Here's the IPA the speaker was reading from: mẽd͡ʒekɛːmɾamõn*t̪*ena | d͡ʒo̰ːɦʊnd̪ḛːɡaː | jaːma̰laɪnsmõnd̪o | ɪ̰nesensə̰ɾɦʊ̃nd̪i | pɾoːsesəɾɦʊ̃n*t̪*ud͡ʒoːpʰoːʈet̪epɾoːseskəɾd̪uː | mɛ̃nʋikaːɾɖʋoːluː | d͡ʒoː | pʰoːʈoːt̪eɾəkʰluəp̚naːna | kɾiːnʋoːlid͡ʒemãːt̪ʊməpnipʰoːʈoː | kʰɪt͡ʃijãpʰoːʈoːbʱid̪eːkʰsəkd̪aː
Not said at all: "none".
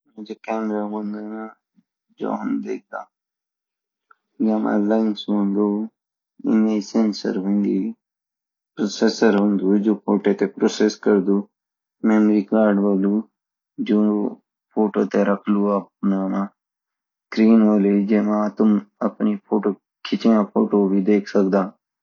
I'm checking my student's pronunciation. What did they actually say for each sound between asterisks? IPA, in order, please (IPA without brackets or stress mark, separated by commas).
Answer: d̪, d̪